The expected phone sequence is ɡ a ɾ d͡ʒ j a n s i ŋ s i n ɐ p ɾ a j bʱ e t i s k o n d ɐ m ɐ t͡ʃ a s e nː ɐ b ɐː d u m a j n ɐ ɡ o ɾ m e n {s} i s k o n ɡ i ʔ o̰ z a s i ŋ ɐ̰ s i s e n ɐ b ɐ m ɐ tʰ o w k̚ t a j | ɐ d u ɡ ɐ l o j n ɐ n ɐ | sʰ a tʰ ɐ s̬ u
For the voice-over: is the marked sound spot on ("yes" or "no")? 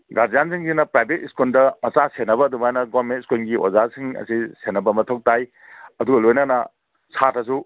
no